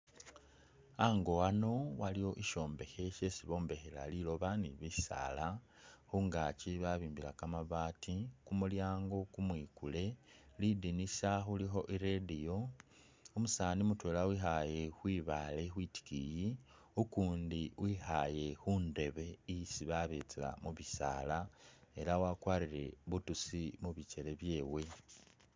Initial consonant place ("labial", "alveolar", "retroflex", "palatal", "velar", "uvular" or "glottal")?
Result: velar